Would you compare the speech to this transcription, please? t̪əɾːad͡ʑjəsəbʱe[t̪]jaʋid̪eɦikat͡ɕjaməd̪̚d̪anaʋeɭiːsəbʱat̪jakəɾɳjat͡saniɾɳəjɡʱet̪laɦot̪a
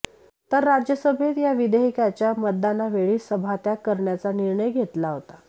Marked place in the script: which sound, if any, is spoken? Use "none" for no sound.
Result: t̪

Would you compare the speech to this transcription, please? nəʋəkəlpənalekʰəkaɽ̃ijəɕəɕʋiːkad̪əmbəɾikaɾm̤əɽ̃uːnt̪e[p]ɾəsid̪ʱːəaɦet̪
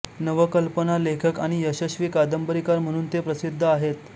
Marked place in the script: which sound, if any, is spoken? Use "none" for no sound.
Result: p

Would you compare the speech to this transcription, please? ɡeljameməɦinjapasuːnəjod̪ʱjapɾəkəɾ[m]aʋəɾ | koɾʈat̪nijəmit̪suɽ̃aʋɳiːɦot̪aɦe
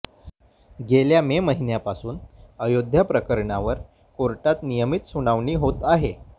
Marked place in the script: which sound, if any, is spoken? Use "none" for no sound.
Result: ɳ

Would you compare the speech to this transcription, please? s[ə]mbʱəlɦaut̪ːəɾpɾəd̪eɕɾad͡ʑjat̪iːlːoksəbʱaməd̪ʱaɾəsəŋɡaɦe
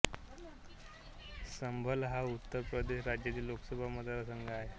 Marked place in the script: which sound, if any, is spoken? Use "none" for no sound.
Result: ə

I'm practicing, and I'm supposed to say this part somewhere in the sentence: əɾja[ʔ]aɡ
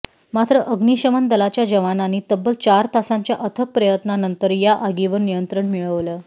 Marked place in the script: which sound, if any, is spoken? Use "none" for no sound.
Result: ʔ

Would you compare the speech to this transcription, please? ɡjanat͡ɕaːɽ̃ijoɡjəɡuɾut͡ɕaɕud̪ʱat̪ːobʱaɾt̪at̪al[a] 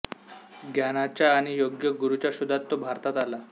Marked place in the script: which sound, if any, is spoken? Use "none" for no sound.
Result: a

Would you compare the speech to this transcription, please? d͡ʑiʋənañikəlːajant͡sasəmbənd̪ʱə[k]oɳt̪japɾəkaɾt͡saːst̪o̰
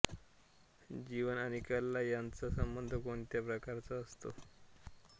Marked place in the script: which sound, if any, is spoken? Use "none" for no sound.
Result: k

